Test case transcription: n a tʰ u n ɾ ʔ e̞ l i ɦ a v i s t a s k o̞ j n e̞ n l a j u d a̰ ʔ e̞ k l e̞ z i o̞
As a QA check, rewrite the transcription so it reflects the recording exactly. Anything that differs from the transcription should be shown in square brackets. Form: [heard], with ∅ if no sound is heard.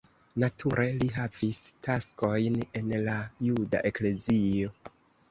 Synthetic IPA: n a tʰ u [∅] ɾ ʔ e̞ l i ɦ a v i s t a s k o̞ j n e̞ n l a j u d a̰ ʔ e̞ k l e̞ z i o̞